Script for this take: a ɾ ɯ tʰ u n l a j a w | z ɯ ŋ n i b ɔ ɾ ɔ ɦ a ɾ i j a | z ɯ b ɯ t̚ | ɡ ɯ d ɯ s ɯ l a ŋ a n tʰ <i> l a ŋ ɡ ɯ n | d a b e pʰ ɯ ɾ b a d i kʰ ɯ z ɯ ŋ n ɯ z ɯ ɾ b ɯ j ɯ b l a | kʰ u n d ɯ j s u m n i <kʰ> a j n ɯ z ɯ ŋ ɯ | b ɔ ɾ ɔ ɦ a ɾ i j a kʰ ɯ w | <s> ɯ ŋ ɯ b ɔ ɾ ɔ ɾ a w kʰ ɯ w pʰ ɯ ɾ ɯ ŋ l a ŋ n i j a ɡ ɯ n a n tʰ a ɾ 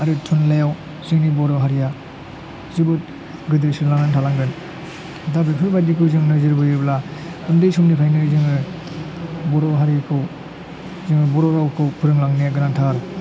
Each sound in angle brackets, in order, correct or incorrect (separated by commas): incorrect, incorrect, incorrect